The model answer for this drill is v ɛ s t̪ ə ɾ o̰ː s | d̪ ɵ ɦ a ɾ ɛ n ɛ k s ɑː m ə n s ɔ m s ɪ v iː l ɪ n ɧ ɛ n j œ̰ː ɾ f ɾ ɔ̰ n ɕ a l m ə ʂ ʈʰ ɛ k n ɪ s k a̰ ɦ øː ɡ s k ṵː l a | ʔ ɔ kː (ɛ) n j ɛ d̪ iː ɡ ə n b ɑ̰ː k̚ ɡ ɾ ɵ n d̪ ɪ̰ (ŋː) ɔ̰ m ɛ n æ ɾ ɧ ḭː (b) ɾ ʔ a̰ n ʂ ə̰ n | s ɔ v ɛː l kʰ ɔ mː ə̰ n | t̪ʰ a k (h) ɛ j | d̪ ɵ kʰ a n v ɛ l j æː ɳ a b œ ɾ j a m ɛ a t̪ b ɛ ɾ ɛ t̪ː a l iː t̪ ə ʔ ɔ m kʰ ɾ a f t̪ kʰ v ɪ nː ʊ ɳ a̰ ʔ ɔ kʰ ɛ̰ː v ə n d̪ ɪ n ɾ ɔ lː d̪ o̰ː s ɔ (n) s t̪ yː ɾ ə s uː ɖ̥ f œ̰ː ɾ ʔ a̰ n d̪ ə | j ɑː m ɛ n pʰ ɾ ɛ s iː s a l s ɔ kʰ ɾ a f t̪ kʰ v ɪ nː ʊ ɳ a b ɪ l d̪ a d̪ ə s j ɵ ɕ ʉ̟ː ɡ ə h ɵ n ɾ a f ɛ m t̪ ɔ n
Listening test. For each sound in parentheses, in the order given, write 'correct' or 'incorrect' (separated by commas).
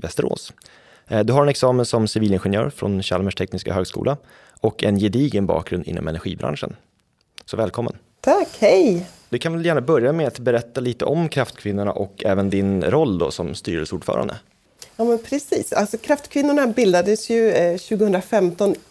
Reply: correct, incorrect, correct, correct, incorrect